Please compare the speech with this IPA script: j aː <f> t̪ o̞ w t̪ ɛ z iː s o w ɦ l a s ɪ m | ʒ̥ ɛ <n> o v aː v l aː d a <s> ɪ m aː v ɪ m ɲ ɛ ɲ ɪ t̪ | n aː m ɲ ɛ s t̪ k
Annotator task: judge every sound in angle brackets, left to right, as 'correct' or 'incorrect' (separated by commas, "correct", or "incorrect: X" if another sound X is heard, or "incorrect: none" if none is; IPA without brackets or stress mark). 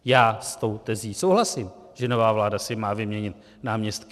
incorrect: s, correct, correct